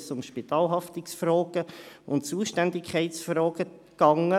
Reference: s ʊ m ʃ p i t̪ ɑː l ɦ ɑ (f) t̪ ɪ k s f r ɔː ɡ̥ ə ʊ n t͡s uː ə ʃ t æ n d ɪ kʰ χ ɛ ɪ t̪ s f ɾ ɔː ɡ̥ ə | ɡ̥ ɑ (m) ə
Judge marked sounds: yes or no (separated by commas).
yes, no